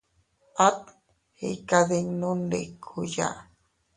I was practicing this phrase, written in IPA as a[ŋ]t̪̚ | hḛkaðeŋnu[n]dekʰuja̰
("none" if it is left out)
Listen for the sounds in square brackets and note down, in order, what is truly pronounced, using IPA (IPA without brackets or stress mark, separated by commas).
none, n